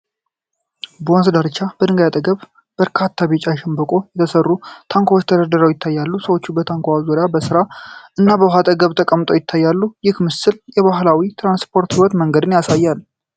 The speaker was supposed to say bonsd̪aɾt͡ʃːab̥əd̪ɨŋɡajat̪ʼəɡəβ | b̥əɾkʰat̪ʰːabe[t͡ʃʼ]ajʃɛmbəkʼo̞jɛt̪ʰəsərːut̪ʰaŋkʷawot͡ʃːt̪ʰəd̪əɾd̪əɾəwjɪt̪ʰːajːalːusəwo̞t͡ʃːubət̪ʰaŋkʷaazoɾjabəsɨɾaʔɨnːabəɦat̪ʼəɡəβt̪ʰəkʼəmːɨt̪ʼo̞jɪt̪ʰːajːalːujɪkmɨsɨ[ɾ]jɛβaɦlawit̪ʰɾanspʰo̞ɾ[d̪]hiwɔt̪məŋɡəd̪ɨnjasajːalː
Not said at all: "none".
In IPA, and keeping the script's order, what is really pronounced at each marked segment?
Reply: t͡ʃʼ, l, t̪

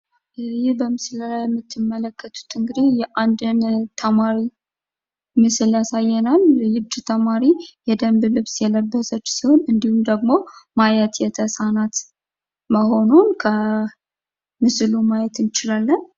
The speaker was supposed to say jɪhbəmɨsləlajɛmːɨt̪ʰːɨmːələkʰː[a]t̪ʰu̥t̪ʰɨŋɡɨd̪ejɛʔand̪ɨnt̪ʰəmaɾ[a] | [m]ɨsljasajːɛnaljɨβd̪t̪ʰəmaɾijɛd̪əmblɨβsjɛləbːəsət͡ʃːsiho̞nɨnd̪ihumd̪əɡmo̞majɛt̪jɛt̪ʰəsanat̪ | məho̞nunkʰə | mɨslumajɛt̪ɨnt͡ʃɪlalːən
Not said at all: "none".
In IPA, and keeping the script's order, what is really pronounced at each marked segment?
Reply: ə, i, m

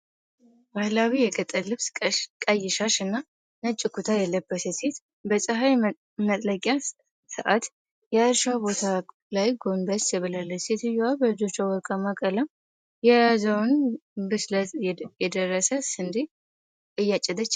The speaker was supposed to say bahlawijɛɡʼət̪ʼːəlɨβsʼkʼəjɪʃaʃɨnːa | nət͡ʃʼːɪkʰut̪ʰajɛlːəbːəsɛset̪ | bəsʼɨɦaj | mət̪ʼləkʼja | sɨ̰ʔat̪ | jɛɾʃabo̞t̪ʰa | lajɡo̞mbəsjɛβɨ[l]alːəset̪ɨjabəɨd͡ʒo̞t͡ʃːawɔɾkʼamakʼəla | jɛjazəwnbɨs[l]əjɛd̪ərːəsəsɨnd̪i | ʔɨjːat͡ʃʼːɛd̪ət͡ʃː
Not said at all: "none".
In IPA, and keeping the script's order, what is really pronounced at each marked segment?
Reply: l, l

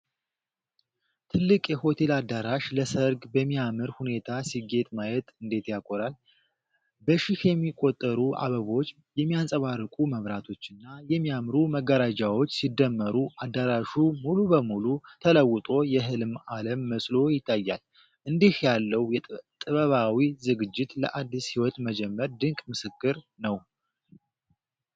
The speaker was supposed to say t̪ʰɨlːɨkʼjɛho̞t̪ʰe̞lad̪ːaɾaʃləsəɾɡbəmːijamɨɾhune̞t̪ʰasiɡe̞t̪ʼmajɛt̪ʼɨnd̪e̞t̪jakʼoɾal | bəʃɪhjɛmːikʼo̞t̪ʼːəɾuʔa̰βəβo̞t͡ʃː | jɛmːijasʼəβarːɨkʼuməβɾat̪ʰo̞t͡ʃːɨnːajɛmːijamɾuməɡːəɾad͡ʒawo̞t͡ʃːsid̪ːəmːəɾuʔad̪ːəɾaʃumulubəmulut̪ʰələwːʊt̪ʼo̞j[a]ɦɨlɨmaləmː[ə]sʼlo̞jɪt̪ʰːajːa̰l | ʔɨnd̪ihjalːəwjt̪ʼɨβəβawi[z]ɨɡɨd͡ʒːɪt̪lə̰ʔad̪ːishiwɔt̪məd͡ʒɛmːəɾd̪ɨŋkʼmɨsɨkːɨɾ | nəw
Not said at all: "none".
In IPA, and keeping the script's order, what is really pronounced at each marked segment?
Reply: ɛ, ə, z

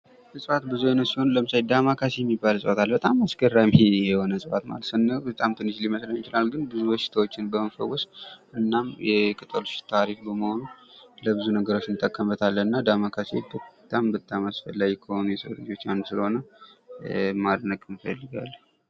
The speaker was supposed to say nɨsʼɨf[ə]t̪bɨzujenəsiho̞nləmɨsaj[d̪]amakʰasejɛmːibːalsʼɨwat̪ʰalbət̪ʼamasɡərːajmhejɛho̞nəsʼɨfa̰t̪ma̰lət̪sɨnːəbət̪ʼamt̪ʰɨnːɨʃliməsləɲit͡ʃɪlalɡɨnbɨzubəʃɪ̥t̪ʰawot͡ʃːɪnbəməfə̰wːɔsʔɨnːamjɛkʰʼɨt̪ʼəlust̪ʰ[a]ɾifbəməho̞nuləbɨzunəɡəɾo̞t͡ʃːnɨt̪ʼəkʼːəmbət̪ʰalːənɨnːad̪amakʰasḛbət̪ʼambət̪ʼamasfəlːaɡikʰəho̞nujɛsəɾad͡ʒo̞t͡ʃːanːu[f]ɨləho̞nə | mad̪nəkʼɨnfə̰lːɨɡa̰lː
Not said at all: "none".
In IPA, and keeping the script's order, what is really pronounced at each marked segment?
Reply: a, d̪, a, s

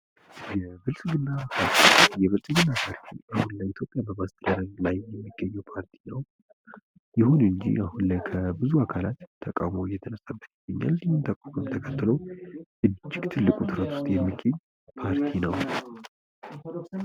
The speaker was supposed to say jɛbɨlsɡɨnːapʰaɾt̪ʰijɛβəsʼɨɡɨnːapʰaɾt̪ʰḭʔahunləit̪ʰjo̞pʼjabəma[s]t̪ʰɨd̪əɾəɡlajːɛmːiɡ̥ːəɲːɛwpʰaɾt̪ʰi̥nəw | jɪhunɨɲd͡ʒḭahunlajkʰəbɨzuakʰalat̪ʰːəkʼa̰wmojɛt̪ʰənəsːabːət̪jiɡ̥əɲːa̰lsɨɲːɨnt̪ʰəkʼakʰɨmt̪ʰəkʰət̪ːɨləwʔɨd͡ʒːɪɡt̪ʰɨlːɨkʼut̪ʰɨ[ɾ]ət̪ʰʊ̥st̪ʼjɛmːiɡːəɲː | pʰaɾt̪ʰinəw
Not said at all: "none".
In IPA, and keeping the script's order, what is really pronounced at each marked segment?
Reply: s, ɾ

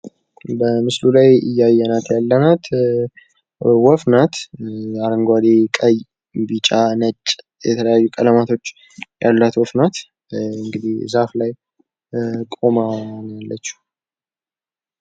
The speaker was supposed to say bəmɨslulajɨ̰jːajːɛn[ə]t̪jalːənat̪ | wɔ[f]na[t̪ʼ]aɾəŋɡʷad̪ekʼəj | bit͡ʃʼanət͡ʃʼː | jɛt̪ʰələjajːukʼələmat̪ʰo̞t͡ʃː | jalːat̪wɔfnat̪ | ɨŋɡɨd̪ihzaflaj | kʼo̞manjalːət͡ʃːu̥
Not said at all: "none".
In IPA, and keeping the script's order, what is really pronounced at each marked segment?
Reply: a, f, t̪

